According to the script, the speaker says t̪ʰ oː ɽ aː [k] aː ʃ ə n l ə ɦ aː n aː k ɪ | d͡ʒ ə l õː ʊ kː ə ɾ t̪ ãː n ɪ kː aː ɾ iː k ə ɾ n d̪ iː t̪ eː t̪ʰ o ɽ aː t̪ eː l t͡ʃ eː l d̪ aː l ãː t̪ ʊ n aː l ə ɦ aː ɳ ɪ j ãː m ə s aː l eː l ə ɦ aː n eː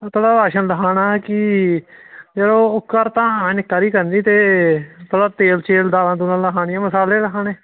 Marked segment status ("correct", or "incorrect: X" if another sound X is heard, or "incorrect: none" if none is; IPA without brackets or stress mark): incorrect: none